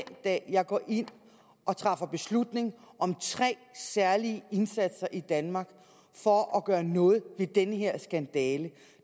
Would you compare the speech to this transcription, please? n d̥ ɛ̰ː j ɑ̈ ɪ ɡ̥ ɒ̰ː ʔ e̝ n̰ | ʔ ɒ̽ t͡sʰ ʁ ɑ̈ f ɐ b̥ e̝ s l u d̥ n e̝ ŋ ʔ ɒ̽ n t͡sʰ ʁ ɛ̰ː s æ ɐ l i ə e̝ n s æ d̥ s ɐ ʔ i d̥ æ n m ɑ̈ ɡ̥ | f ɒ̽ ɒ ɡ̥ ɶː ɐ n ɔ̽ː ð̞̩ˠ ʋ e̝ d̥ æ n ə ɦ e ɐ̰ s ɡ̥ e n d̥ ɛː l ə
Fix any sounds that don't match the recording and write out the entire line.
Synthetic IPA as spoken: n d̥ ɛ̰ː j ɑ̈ ɪ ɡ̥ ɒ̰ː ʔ e̝ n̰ | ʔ ɒ̽ t͡sʰ ʁ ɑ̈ f ɐ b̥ e̝ s l u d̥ n e̝ ŋ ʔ ɒ̽ m t͡sʰ ʁ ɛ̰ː s æ ɐ l i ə e̝ n s æ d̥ s ɐ ʔ i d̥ æ n m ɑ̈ ɡ̥ | f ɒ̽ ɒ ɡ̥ ɶː ɐ n ɔ̽ː ð̞̩ˠ ʋ e̝ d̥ e n ə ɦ e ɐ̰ s ɡ̥ æ n d̥ ɛː l ə

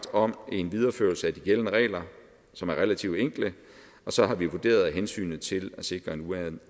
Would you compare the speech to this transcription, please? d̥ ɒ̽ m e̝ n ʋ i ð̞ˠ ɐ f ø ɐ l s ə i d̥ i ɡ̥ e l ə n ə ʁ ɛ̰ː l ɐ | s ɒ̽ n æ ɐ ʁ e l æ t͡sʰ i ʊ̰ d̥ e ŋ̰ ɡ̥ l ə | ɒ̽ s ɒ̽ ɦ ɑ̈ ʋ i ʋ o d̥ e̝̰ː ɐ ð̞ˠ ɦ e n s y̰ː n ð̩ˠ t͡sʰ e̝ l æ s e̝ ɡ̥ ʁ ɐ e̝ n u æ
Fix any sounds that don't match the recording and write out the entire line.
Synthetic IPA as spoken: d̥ ɒ̽ m e̝ n ʋ i ð̞ˠ ɐ f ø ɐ l s ə æ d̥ i ɡ̥ e l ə n ə ʁ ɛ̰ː l ɐ | s ɒ̽ m æ ɐ ʁ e l æ t͡sʰ i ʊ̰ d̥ e ŋ̰ ɡ̥ l ə | ɒ̽ s ɒ̽ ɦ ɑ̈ ʋ i ʋ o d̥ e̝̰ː ɐ ð̞ˠ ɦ e n s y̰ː n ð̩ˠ t͡sʰ e̝ l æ s e̝ ɡ̥ ʁ ɐ e̝ n u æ

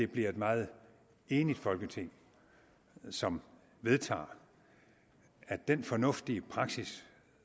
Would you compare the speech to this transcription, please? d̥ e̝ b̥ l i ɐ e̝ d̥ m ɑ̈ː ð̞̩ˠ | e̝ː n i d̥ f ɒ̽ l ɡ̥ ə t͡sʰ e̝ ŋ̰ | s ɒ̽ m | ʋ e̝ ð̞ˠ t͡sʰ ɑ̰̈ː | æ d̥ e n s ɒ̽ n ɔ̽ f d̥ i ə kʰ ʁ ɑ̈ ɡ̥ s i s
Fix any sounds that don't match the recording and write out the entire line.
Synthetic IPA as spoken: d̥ e̝ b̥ l i ɐ e̝ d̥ m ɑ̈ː ð̞̩ˠ | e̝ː n i d̥ f ɒ̽ l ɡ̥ ə t͡sʰ e̝ ŋ̰ | s ɒ̽ m | ʋ e̝ ð̞ˠ t͡sʰ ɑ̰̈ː | æ d̥ e n f ɒ̽ n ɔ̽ f d̥ i ə pʰ ʁ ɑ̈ ɡ̥ s i s

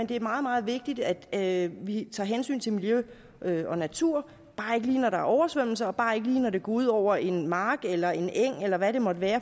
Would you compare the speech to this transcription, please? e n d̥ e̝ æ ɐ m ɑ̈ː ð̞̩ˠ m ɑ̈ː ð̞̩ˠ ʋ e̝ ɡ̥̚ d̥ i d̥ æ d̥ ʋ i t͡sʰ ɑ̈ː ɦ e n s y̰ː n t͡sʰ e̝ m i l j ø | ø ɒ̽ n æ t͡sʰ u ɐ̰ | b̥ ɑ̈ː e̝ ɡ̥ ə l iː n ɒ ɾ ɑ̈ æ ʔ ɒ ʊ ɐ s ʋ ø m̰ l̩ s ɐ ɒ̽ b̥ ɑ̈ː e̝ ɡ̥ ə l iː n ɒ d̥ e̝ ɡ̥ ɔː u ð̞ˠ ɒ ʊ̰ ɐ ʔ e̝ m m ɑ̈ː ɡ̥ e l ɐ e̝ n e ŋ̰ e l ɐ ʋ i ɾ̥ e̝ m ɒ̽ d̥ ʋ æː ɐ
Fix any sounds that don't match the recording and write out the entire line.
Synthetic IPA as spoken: e n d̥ e̝ æ ɐ m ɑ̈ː ð̞̩ˠ m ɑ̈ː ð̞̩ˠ ʋ e̝ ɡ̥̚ d̥ i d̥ æ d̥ ʋ i t͡sʰ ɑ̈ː ɦ e n s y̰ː n t͡sʰ e̝ m i l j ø | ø ɒ̽ n æ t͡sʰ u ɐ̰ | b̥ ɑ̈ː e̝ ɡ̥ ə l iː n ɒ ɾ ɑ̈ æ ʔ ɒ ʊ ɐ s ʋ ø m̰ l̩ s ɐ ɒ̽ b̥ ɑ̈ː e̝ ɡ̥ ə l iː n ɒ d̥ e̝ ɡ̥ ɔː u ð̞ˠ ɒ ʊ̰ ɐ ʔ e̝ n m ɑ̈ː ɡ̥ e l ɐ e̝ n e ŋ̰ e l ɐ ʋ æ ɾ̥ e̝ m ɒ̽ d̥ ʋ æː ɐ

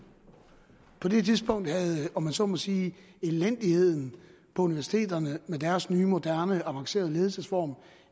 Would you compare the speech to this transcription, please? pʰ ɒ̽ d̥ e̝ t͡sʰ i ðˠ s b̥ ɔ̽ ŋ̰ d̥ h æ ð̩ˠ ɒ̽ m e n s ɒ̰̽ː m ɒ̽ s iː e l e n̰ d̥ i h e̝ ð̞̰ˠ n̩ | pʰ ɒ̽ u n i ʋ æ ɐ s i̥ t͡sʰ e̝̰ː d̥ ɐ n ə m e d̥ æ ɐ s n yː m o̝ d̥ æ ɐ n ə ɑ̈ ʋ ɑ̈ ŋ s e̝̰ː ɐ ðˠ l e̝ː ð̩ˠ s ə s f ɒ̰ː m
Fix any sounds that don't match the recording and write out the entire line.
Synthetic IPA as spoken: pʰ ɒ̽ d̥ e̝ t͡sʰ i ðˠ s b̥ ɔ̽ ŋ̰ d̥ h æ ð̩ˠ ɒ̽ m æ n s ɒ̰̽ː m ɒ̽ s iː e l e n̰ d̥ i h e̝ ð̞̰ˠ n̩ | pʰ ɒ̽ u n i ʋ æ ɐ s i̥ t͡sʰ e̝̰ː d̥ ɐ n ə m e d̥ æ ɐ s n yː m o̝ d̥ æ ɐ n ə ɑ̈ ʋ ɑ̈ ŋ s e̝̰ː ɐ ðˠ l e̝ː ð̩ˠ s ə s f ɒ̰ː m

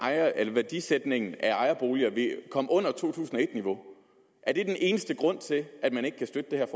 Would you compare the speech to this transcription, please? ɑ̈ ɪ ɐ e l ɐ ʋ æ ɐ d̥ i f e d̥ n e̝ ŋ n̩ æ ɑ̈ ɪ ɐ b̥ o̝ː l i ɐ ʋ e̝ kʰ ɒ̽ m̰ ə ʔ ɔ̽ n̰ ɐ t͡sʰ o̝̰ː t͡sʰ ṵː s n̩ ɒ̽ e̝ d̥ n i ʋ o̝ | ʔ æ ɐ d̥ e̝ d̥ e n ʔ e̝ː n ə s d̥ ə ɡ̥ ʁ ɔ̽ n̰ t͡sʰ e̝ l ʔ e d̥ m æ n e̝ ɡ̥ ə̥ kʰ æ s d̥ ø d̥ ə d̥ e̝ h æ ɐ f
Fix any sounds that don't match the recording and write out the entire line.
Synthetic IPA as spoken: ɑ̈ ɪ ɐ e l ɐ ʋ æ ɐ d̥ i s e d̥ n e̝ ŋ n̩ æ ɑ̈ ɪ ɐ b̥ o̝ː l i ɐ ʋ e̝ kʰ ɒ̽ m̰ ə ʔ ɔ̽ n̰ ɐ t͡sʰ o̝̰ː t͡sʰ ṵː s n̩ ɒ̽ e̝ d̥ n i ʋ o̝ | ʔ æ ɐ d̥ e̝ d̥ e n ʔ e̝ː n ə s d̥ ə ɡ̥ ʁ ɔ̽ n̰ t͡sʰ e̝ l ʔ æ d̥ m æ n e̝ ɡ̥ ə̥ kʰ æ s d̥ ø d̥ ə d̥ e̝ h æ ɐ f

